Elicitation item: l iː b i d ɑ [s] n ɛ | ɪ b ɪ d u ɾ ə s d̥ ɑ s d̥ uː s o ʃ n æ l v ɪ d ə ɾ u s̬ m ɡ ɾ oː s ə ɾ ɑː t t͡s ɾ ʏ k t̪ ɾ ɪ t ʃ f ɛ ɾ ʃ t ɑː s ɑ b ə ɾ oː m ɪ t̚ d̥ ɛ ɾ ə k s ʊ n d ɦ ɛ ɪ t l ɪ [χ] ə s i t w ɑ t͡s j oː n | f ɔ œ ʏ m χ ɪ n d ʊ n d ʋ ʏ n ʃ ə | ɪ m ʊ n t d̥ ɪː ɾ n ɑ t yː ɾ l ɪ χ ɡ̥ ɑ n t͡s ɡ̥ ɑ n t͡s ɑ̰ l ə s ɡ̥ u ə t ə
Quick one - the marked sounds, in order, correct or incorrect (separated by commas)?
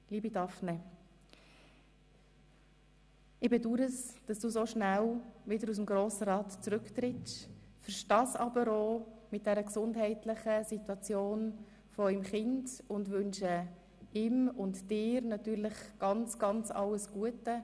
incorrect, correct